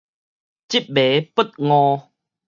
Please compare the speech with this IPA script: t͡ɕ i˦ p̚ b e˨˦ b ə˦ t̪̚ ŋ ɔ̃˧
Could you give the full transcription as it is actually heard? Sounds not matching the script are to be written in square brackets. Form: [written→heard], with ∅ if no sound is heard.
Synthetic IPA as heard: t͡ɕ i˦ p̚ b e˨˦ [b→p] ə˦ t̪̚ ŋ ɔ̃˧